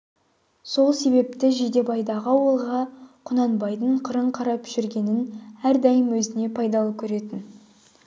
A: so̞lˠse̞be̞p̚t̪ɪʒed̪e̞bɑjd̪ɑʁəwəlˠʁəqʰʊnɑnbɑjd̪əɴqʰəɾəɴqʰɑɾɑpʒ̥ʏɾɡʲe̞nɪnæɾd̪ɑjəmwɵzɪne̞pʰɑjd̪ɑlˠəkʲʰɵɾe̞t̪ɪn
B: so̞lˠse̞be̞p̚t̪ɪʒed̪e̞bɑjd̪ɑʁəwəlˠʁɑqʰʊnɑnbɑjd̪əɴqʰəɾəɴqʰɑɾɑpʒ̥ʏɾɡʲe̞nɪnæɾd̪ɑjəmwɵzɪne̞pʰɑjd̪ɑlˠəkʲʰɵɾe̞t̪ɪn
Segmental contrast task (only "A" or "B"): B